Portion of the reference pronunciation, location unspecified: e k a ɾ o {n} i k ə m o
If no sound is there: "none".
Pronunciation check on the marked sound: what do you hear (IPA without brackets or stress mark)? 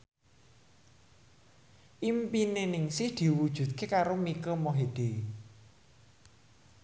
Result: m